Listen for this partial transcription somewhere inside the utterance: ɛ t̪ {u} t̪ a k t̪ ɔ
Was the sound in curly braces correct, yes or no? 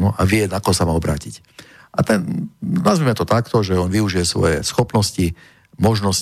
no